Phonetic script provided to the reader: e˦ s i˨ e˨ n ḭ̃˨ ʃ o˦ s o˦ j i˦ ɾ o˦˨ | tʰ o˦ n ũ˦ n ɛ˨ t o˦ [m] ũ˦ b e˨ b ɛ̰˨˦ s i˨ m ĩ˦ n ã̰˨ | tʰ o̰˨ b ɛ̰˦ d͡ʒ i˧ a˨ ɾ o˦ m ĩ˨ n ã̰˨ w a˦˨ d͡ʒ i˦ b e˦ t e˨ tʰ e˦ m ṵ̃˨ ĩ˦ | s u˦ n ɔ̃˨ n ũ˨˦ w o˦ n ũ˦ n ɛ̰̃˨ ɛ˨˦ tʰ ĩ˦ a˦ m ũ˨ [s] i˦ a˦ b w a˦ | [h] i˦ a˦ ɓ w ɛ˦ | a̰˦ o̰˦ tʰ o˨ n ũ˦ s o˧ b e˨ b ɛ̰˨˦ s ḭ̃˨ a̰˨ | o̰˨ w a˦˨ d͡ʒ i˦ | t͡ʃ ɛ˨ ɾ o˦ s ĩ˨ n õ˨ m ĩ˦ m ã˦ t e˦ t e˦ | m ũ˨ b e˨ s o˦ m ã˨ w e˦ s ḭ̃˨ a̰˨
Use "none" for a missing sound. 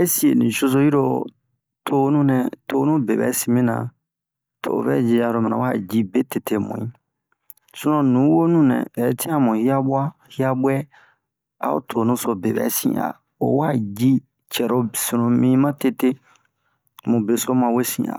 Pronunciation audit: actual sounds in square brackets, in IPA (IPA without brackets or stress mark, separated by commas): n, h, h